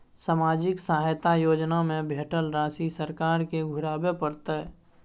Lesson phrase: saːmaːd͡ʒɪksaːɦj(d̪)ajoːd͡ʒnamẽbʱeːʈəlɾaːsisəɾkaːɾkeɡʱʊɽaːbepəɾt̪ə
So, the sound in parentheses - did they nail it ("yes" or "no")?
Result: no